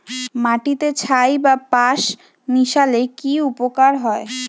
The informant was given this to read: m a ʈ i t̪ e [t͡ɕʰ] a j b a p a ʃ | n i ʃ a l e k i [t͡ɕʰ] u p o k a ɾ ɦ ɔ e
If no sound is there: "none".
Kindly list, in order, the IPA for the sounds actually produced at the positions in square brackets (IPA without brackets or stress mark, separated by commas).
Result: t͡ɕʰ, none